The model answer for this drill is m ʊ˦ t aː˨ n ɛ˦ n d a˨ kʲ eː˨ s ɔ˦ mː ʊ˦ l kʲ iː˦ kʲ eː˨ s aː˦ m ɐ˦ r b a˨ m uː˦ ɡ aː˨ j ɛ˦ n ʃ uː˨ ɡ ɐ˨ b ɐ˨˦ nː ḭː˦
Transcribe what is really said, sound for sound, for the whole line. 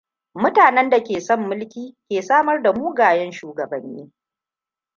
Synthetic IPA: m ʊ˦ t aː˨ n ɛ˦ n d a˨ kʲ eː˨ s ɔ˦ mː ʊ˦ l kʲ iː˦ kʲ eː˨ s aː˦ m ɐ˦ r d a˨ m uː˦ ɡ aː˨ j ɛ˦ n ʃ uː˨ ɡ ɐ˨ b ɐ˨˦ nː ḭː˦

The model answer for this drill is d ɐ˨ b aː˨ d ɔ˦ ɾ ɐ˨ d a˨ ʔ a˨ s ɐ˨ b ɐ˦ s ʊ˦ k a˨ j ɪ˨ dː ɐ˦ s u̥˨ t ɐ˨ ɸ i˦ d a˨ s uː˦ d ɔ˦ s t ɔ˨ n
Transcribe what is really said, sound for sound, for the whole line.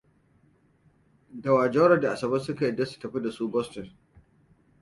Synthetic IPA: d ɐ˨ w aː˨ d͡ʒ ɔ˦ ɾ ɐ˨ d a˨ ʔ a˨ s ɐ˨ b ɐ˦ s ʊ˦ k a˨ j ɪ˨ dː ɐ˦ s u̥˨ t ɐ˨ ɸ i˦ d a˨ s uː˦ b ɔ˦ s t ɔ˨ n

